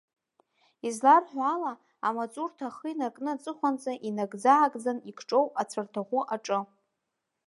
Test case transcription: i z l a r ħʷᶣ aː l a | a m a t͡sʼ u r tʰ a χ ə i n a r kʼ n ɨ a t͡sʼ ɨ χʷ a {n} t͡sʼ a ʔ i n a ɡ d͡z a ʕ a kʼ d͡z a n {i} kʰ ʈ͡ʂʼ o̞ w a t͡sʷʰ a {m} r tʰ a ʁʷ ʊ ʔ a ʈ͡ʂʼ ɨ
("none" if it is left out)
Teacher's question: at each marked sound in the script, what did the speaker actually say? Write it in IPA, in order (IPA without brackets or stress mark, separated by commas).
n, i, none